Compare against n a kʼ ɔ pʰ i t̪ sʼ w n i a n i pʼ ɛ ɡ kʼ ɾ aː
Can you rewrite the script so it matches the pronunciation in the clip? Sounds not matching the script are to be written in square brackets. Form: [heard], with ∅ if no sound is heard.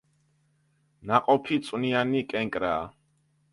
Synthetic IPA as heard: n a [qʼ] ɔ pʰ i t̪ sʼ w n i a n i [kʼ] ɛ [ŋ] kʼ ɾ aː